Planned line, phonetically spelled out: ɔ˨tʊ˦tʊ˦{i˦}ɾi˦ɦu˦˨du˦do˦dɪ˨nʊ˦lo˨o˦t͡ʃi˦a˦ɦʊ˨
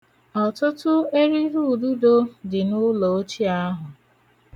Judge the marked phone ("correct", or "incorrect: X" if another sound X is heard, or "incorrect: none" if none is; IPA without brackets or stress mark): incorrect: e˦